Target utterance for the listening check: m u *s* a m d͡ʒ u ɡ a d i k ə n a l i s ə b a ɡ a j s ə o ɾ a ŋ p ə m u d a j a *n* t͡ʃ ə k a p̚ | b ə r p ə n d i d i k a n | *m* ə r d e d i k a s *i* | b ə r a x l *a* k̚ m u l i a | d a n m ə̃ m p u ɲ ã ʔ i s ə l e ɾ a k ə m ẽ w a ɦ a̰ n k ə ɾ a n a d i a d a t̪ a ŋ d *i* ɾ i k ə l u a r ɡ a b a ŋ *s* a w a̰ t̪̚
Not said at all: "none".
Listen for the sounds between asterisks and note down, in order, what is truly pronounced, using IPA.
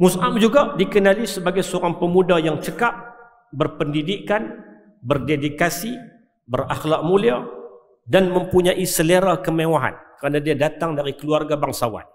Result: s, ŋ, b, i, a, a, s

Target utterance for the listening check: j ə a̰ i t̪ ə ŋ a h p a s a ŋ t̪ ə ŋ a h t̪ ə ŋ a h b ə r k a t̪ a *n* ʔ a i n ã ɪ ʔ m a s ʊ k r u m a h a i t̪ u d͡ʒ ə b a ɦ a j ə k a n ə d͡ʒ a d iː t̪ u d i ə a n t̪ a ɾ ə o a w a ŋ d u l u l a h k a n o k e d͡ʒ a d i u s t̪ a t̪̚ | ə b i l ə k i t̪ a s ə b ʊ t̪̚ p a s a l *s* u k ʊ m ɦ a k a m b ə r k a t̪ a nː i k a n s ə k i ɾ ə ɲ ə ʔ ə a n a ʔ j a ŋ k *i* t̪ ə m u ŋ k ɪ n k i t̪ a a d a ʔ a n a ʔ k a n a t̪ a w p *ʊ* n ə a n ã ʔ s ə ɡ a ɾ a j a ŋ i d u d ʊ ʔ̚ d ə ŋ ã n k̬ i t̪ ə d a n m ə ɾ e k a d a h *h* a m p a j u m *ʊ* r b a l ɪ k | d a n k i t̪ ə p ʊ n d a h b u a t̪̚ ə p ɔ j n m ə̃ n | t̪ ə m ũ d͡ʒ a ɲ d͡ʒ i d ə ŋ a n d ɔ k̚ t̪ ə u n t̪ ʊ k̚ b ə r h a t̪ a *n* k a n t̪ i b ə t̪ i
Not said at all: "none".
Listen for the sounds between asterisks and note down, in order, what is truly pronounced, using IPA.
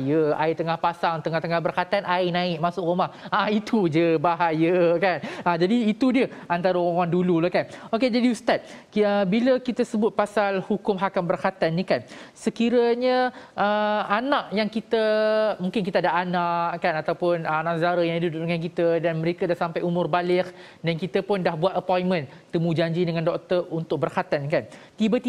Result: n, h, i, ʊ, s, ʊ, n

